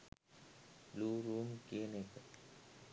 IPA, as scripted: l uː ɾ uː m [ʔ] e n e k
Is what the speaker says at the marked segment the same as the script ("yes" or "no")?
no